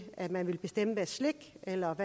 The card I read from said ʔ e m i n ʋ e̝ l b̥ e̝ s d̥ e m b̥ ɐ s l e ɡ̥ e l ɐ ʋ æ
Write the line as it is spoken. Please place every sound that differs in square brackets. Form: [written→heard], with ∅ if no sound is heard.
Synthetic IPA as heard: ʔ [e→æ] m [i→æ] n ʋ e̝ l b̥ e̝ s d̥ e m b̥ [ɐ→ə] s l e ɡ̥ e l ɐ ʋ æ